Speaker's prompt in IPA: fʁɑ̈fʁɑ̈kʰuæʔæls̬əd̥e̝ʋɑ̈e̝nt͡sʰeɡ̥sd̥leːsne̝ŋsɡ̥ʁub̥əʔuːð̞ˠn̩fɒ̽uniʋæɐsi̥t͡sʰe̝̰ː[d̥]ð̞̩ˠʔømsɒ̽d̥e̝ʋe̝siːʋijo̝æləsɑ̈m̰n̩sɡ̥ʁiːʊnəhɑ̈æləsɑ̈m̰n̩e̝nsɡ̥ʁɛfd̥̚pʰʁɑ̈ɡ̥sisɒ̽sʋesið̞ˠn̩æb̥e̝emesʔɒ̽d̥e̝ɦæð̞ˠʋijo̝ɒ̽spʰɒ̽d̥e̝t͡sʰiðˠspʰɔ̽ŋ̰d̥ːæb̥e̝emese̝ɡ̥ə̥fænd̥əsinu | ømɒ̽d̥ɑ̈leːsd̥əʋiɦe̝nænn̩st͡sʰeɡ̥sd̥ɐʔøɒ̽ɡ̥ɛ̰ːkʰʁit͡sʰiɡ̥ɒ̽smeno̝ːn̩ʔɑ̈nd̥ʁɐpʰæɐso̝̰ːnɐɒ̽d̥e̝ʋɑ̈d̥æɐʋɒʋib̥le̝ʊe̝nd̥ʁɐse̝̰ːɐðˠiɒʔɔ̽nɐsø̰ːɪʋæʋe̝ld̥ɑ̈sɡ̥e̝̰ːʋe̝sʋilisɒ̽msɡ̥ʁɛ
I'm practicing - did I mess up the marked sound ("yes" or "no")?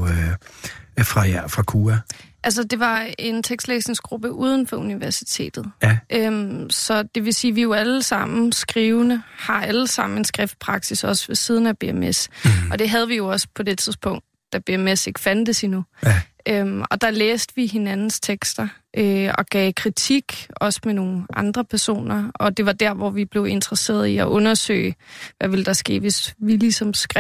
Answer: no